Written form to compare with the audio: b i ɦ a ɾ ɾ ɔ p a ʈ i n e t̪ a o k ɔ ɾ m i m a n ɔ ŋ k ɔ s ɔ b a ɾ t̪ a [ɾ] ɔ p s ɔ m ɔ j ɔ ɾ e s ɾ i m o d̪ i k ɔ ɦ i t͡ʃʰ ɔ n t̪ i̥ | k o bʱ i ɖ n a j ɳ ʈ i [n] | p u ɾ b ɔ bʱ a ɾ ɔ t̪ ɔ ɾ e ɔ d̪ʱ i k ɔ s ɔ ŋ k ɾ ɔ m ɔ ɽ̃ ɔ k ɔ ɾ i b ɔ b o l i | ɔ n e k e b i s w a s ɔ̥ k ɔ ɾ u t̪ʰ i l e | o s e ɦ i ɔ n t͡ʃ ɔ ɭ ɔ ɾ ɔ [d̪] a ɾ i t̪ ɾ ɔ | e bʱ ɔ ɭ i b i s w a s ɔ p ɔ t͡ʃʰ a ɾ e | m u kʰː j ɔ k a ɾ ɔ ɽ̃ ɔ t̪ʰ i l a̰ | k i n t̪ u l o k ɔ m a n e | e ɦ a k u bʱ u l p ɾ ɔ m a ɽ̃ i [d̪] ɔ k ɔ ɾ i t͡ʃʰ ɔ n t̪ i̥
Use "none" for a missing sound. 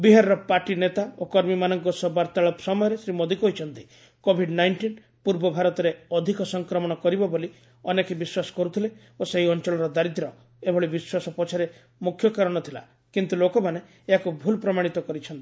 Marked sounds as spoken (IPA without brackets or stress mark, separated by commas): ɭ, n, d̪, t̪